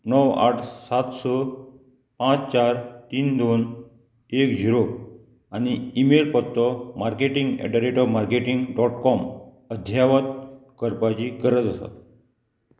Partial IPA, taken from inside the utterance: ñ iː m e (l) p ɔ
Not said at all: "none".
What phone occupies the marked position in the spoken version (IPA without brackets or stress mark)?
l